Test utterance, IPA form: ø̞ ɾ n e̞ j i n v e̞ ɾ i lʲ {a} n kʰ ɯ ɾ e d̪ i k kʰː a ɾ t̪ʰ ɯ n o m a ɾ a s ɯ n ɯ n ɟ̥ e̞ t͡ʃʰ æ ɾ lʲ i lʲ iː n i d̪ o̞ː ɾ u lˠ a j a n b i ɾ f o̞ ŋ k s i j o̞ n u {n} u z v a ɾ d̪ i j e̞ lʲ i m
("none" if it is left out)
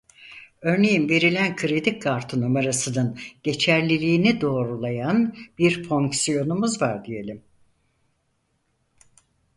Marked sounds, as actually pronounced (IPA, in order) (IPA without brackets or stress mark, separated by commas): æ, m